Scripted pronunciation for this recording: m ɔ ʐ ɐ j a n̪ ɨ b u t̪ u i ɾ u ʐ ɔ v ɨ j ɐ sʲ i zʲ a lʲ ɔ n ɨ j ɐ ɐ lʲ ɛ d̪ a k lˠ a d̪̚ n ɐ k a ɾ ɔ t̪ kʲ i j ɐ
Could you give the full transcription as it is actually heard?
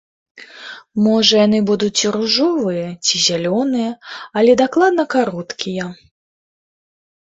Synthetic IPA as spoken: m ɔ ʐ ɐ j a n̪ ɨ b u d̪ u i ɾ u ʐ ɔ v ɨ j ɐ t͡sʲ i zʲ a lʲ ɔ n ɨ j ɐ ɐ lʲ ɛ d̪ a k lˠ a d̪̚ n ɐ k a ɾ ɔ t̪ kʲ i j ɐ